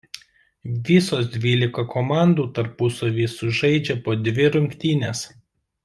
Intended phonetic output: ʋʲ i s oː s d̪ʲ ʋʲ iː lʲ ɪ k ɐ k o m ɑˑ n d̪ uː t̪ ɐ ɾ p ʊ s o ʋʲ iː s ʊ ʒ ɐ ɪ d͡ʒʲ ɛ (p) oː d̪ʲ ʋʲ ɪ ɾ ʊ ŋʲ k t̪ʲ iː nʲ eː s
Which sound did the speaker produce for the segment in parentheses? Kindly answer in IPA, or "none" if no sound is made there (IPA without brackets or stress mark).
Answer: p